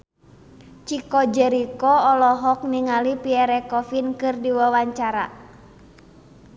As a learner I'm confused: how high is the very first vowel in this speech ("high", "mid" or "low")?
high